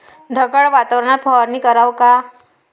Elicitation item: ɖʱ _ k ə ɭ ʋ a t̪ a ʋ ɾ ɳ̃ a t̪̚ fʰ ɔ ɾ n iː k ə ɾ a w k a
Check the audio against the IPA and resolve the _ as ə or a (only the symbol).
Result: ə